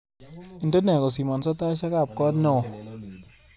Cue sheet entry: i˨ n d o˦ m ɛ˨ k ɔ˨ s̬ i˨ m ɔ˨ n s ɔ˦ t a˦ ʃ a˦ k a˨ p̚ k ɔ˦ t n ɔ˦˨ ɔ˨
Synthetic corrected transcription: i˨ n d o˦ n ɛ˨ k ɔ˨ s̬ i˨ m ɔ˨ n s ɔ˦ t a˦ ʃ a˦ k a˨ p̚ k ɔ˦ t n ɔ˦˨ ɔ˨

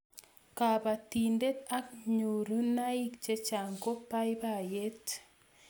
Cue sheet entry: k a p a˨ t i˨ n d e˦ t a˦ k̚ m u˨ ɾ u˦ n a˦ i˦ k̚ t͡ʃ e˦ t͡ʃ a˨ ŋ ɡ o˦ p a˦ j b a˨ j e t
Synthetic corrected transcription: k a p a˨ t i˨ n d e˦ t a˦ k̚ ɲ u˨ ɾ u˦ n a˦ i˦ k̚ t͡ʃ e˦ t͡ʃ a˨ ŋ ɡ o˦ p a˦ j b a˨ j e t

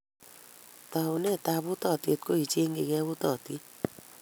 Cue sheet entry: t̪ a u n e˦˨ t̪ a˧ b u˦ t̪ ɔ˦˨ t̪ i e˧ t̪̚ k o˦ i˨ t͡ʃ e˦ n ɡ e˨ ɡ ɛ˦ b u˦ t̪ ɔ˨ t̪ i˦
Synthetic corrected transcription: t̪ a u n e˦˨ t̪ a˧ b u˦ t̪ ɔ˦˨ t̪ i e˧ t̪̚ k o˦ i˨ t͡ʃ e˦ ŋ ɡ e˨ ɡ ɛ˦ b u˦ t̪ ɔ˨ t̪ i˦

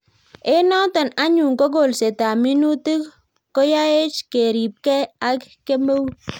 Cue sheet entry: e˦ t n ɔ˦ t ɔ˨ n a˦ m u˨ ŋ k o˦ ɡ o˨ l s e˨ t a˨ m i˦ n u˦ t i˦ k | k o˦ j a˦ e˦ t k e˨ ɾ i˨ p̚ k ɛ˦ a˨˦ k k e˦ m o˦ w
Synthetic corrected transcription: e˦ n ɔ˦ t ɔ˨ n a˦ ɲ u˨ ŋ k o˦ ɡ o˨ l s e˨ t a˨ m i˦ n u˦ t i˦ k | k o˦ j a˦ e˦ t͡ʃ k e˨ ɾ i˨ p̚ k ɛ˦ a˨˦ k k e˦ m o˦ w

